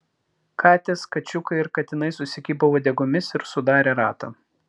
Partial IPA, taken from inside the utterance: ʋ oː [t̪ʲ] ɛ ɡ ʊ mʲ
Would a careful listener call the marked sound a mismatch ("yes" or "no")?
yes